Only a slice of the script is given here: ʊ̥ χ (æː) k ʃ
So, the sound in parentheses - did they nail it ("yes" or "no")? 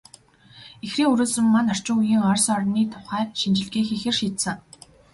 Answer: yes